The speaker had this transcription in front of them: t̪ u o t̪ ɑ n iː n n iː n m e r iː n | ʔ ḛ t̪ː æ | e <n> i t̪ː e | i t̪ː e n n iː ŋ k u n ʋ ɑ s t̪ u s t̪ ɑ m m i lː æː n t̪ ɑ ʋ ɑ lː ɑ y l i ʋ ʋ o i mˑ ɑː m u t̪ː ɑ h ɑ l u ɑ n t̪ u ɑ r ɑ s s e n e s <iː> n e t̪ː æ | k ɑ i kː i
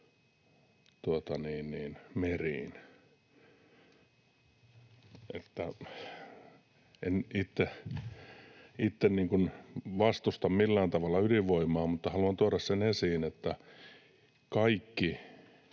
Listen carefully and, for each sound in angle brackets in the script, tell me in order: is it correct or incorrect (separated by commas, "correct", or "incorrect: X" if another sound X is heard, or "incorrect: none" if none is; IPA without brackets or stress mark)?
correct, correct